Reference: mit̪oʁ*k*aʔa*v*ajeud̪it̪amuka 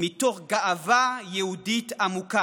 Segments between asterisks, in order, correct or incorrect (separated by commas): incorrect, correct